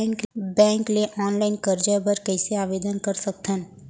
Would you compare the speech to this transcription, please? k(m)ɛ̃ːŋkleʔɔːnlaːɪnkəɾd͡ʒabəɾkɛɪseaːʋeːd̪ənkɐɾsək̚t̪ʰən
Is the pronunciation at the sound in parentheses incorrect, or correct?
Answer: incorrect